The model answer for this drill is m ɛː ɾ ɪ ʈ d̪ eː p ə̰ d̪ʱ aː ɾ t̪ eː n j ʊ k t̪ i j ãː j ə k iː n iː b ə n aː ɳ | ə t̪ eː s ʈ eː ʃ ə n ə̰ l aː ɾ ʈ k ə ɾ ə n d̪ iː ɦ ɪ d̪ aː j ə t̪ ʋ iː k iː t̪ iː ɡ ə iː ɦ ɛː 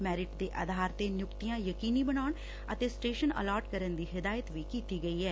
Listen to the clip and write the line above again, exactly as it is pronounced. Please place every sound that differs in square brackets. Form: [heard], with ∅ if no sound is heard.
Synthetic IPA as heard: m ɛː ɾ ɪ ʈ d̪ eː [ʔ] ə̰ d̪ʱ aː ɾ t̪ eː n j ʊ k t̪ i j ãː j ə k iː n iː b ə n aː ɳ | ə t̪ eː s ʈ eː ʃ ə n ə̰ l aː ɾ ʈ k ə ɾ ə n d̪ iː ɦ ɪ d̪ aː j ə t̪ ʋ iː k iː t̪ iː ɡ ə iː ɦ ɛː